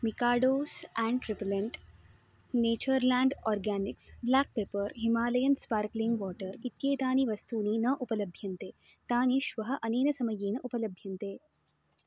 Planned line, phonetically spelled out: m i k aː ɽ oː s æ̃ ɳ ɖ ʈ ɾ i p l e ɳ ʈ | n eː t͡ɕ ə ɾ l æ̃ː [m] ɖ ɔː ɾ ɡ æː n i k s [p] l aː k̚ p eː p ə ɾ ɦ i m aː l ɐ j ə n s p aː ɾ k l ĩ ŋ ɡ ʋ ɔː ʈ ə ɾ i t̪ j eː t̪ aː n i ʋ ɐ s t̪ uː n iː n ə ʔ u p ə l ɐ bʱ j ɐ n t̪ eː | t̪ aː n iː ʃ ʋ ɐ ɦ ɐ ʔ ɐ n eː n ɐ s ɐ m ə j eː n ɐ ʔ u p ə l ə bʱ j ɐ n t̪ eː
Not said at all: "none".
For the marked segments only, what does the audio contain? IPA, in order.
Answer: ɳ, b

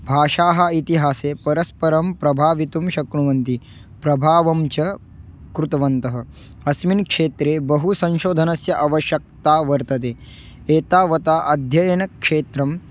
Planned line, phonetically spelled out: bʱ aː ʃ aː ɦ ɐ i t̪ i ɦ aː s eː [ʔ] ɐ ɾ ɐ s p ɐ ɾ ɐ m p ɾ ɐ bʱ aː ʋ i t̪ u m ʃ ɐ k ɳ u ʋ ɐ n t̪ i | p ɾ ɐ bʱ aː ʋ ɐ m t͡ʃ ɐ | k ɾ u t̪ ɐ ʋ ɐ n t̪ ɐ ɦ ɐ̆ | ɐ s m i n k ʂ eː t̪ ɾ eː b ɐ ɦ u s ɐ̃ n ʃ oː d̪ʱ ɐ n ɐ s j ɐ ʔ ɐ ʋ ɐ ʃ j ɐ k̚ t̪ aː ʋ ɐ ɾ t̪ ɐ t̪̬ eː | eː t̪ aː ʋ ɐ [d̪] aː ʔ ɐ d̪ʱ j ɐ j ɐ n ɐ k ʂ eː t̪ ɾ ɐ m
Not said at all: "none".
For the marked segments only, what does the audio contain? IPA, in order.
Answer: p, t̪

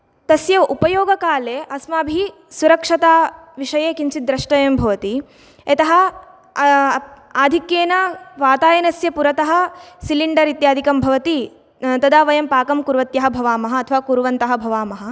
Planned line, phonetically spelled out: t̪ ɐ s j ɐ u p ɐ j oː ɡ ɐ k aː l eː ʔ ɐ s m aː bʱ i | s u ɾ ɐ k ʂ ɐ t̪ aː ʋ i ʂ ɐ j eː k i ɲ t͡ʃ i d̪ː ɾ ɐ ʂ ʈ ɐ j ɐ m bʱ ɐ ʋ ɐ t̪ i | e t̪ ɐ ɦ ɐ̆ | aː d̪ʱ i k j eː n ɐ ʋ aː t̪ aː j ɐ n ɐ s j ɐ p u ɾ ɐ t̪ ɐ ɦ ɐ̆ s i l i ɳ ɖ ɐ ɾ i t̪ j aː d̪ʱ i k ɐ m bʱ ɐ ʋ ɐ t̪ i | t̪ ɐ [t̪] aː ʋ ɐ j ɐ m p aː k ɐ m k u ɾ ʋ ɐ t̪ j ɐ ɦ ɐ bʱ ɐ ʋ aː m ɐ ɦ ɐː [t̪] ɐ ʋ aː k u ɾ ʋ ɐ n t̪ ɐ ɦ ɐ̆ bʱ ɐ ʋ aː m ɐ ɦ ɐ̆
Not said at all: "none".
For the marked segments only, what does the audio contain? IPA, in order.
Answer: d̪, t̪ʰ

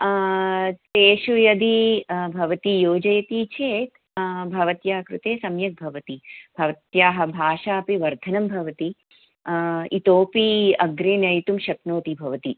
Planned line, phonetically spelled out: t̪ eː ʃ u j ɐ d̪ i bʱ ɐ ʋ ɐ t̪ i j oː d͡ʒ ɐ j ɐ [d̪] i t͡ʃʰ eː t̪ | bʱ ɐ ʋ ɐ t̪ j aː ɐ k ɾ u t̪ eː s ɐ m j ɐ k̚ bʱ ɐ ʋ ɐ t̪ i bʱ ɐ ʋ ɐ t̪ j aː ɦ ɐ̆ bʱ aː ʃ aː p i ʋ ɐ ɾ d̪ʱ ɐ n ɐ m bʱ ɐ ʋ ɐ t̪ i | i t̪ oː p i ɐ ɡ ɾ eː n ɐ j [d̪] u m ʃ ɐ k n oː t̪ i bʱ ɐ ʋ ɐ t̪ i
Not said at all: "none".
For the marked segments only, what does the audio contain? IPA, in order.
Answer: t̪, t̪

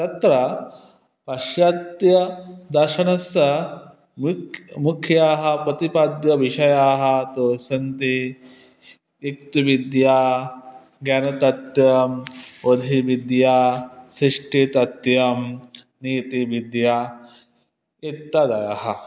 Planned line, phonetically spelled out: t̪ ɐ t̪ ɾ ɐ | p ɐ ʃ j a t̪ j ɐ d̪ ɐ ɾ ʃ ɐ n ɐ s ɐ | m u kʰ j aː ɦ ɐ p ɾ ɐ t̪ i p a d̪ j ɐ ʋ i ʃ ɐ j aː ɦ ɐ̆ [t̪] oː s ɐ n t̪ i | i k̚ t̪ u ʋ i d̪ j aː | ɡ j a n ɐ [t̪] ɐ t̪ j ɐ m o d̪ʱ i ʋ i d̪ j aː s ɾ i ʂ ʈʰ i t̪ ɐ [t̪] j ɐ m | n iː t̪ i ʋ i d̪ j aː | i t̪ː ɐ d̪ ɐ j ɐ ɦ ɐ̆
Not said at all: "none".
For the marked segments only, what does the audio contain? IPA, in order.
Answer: t̪, t̪, t̪

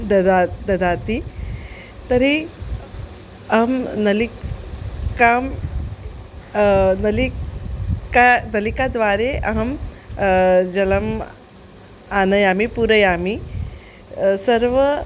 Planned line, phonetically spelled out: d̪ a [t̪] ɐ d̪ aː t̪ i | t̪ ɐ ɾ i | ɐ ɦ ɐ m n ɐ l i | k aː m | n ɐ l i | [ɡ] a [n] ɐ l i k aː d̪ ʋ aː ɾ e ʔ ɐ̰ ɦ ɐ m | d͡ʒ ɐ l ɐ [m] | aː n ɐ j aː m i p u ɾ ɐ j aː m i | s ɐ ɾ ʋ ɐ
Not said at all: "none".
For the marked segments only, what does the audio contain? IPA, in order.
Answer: d̪, k, n, m

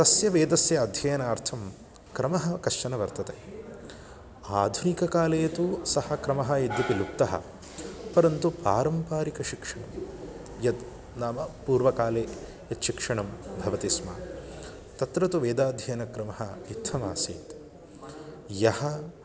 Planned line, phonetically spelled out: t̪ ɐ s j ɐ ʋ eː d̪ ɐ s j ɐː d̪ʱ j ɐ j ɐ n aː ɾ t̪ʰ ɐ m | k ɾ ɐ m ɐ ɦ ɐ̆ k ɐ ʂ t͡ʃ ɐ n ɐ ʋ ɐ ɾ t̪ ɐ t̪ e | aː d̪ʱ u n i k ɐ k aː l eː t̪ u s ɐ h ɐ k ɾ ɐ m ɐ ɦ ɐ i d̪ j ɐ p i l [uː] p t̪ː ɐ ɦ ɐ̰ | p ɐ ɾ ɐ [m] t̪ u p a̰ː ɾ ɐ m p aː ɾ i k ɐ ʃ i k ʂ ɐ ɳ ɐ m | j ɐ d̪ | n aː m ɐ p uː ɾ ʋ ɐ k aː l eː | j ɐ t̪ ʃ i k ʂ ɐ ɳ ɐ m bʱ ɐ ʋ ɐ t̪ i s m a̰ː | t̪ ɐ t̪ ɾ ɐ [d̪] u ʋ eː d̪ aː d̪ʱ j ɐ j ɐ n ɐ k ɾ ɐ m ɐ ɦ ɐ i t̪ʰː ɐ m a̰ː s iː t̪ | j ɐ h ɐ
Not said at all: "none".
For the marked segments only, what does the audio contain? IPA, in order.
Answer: u, n, t̪

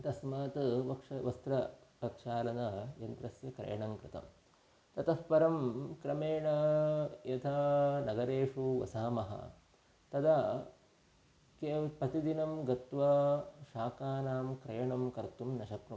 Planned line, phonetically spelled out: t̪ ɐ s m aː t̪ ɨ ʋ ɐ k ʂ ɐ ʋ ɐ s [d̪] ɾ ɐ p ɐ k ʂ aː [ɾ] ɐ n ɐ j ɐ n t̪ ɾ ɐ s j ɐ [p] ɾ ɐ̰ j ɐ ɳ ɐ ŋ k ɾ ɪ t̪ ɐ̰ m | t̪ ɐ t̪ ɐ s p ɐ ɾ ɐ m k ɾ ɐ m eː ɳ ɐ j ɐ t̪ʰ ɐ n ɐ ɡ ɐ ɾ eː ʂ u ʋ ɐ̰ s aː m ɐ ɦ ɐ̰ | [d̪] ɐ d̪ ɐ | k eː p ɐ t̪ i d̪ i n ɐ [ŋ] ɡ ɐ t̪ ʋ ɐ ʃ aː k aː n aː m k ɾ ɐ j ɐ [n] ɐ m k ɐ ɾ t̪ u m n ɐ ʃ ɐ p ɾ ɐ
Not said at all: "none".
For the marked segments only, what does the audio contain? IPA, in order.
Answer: t̪, l, k, t̪, m, ɳ

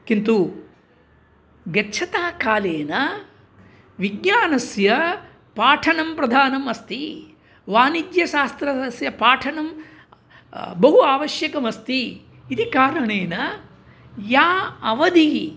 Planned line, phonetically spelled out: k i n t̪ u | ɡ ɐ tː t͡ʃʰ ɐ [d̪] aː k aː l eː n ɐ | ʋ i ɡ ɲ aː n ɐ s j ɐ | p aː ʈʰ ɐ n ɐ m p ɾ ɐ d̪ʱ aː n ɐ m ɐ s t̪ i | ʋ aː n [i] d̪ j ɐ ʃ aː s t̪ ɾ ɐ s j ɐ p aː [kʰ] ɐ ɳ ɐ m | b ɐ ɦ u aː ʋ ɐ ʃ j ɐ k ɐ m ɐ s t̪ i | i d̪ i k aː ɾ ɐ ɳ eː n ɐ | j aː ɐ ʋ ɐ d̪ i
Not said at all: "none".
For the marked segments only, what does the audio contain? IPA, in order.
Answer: t̪, i, ʈʰ

